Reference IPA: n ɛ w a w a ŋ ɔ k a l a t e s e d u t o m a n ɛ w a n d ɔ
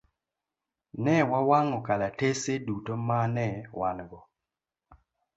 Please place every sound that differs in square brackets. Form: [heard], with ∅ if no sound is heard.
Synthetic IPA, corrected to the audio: n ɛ w a w a ŋ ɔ k a l a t e s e d u t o m a n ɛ w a n [ɡ] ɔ